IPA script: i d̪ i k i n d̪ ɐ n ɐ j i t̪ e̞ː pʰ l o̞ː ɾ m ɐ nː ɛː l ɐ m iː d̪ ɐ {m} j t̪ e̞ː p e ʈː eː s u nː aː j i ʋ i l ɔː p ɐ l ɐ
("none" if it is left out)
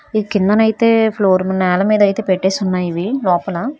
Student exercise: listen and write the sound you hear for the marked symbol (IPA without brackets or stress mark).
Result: none